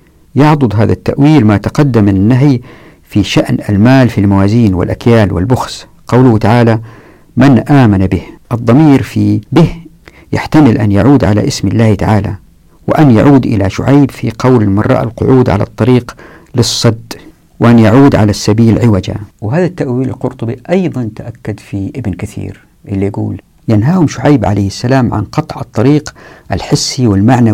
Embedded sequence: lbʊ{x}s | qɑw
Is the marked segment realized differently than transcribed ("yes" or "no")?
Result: no